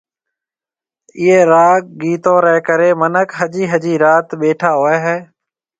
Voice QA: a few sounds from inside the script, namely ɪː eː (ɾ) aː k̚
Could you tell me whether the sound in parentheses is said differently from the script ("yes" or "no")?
no